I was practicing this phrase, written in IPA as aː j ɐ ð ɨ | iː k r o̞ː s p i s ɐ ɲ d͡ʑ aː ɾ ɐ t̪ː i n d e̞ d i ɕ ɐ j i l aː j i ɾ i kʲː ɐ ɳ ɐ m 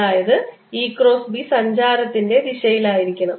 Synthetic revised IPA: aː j ɐ ð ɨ | iː k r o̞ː s b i s ɐ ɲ d͡ʑ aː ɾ ɐ t̪ː i n d e̞ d i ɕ ɐ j i l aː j i ɾ i kʲː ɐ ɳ ɐ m